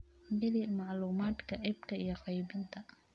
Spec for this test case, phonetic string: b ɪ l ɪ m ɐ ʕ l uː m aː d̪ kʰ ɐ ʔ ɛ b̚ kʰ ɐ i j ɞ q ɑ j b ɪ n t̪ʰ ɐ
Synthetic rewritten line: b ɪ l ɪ m ɑ ʕ l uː m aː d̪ kʰ ɐ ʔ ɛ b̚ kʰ ɐ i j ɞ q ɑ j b ɪ n t̪ʰ ɐ